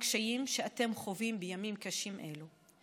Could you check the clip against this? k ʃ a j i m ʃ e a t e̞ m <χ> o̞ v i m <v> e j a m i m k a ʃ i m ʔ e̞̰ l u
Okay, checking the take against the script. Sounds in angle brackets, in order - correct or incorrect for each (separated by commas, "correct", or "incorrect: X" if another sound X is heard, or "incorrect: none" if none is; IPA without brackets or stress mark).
correct, incorrect: b